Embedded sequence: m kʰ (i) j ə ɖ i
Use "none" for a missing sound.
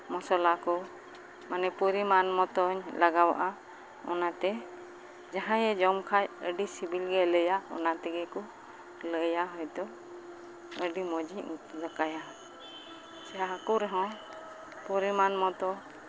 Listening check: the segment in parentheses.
a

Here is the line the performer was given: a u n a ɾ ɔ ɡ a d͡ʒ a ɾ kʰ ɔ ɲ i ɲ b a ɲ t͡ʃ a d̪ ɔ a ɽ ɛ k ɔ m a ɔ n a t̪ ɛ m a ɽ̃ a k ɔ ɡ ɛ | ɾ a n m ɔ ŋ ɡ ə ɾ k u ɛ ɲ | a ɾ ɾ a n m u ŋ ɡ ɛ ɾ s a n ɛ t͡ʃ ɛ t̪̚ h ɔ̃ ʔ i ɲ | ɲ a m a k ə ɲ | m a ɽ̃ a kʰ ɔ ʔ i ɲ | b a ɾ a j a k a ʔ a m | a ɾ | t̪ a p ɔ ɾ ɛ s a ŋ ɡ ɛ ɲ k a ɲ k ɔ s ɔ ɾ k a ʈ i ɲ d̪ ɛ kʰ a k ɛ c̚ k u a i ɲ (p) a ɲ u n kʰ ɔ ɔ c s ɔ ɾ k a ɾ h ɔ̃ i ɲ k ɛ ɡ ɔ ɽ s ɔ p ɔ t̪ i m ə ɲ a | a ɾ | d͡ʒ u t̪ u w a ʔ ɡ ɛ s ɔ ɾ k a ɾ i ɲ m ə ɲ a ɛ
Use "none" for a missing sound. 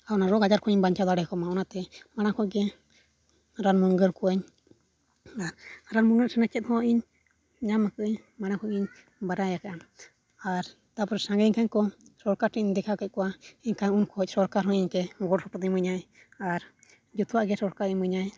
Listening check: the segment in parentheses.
k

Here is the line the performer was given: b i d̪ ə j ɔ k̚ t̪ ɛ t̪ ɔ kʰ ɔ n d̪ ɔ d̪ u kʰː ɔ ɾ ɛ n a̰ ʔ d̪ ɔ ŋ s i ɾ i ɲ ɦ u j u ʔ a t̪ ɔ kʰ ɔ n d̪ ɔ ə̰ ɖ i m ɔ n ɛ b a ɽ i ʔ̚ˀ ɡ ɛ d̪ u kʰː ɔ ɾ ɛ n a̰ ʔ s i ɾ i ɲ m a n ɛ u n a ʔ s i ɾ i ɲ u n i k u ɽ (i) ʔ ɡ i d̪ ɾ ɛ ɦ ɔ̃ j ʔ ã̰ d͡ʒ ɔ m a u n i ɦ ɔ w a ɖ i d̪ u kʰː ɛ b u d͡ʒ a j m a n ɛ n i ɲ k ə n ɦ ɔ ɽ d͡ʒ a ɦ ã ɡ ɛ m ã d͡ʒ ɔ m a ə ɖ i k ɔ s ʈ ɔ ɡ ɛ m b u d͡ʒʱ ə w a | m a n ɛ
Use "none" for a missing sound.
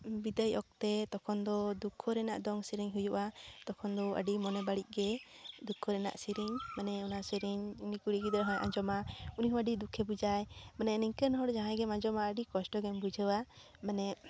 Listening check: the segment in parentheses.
i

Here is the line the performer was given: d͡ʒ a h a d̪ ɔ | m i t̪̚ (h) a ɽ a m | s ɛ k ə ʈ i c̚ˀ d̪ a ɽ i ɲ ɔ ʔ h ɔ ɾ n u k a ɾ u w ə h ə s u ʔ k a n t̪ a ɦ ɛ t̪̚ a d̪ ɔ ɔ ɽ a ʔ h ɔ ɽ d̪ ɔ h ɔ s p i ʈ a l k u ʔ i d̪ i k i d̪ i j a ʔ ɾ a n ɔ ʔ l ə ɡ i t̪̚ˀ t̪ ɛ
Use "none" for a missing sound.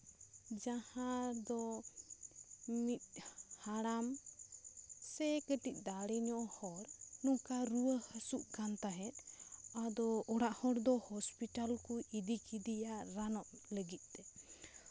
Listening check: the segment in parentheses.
h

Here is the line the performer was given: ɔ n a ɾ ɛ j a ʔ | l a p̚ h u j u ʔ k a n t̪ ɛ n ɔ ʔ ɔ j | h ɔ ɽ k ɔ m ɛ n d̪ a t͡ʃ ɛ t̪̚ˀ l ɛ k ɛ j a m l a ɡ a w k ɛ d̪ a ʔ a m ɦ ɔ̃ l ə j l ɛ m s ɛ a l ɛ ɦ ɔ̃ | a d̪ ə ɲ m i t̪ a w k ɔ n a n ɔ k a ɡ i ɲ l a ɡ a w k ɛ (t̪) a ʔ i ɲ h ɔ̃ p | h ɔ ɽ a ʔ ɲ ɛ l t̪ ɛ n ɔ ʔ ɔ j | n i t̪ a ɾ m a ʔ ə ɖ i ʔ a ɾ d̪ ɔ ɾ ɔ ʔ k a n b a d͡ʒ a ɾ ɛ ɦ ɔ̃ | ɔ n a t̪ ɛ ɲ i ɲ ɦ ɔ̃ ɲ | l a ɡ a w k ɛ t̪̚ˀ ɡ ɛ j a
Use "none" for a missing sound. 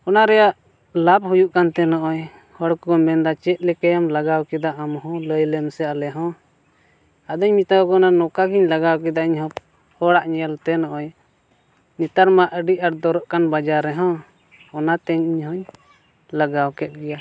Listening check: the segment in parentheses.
d̪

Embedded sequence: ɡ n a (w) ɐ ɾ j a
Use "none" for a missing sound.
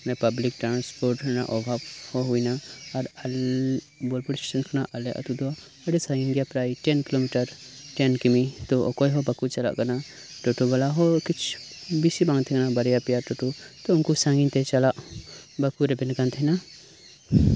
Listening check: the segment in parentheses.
b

